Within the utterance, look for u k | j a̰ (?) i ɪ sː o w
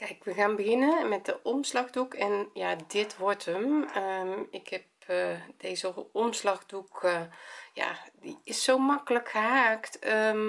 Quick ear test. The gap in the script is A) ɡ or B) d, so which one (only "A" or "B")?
B